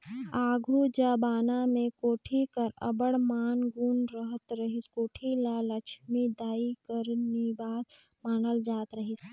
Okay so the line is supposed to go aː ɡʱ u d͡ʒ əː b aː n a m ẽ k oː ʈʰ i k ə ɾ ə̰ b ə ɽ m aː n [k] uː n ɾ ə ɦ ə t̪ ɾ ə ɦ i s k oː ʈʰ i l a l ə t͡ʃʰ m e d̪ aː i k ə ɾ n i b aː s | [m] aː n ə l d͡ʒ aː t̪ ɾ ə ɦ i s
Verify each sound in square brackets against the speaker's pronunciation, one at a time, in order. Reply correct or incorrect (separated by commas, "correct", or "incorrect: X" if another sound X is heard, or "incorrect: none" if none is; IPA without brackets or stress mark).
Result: incorrect: ɡ, correct